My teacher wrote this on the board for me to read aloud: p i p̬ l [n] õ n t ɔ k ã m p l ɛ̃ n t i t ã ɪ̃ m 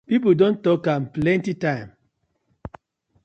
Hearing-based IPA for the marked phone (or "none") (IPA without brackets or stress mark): d